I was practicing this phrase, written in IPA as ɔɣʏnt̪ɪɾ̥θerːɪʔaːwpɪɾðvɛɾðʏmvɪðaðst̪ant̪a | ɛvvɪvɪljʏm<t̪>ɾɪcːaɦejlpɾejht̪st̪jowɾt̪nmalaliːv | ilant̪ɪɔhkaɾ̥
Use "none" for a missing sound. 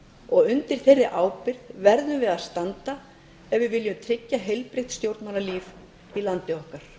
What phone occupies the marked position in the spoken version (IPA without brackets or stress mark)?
t̪ʰ